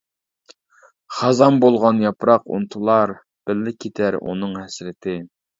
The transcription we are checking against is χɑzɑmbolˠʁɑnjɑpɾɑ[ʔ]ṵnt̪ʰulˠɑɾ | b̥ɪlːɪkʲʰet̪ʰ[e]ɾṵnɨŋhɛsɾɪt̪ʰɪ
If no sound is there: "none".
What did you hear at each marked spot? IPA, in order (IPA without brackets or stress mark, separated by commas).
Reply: q, æ